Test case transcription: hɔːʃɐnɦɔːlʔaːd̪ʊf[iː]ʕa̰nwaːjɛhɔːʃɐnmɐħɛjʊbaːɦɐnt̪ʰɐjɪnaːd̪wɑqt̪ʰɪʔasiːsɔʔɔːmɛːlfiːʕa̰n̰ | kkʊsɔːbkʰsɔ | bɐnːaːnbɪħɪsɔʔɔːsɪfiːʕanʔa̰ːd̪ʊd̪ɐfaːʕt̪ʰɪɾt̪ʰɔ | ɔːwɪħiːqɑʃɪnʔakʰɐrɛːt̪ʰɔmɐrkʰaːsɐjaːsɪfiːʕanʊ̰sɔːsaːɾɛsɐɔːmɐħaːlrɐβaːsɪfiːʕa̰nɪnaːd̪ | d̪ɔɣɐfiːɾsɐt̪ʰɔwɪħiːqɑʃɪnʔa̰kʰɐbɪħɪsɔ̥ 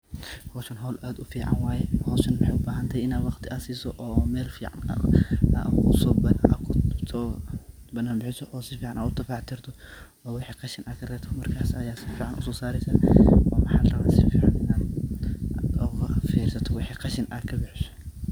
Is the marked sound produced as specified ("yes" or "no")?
yes